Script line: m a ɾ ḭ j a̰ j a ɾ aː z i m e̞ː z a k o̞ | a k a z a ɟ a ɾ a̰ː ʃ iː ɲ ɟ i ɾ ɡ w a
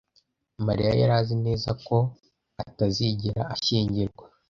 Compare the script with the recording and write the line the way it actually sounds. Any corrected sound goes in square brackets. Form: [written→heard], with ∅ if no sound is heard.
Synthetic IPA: m a ɾ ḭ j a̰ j a ɾ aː z i [m→n] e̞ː z a k o̞ | a [k→t] a z [a→i] ɟ [a→i] ɾ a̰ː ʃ iː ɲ ɟ i ɾ ɡ w a